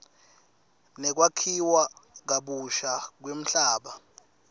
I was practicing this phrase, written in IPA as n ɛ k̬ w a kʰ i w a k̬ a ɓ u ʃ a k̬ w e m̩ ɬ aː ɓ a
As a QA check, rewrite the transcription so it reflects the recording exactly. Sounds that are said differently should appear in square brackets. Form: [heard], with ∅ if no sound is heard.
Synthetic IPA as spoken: n ɛ k̬ w a kʰ i w a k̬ a ɓ u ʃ a k̬ w e m̩ ɬ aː ɓ a